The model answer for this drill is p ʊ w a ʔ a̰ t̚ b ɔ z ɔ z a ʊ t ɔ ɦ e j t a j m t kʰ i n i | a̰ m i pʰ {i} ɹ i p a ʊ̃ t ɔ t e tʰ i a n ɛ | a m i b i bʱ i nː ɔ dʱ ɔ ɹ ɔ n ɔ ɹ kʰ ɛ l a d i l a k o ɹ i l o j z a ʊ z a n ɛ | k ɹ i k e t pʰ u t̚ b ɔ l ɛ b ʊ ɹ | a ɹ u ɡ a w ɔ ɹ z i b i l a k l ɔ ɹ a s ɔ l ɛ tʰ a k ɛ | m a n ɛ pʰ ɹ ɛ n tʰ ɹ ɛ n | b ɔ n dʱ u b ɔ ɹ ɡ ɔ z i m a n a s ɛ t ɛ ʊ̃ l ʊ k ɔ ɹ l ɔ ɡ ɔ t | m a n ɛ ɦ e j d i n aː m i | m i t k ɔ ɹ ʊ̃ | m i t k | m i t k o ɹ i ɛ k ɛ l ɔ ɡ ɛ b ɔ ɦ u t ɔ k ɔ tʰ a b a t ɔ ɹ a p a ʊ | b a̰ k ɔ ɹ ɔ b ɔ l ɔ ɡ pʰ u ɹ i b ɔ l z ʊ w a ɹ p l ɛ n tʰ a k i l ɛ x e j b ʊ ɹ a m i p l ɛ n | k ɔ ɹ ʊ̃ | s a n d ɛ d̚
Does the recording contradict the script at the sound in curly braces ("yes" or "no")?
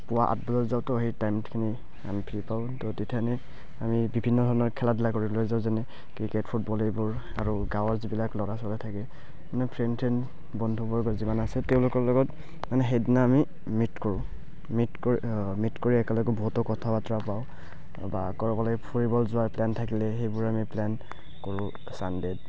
no